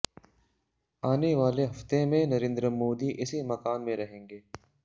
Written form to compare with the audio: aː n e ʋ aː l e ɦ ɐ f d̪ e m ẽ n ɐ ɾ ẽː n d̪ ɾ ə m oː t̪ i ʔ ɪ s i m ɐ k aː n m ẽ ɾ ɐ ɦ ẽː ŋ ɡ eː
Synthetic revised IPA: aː n e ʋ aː l e ɦ ɐ f t̪ e m ẽ n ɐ ɾ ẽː n d̪ ɾ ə m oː d̪ i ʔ ɪ s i m ɐ k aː n m ẽ ɾ ɐ ɦ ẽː ŋ ɡ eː